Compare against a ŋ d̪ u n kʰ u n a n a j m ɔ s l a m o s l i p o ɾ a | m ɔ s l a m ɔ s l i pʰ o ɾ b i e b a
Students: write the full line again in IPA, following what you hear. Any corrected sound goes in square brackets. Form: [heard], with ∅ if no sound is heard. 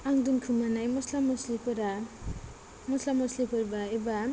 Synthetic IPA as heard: a ŋ d̪ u n kʰ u [m] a n a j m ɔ s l a m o s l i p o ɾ a | m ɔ s l a m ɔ s l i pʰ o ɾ b [a] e b a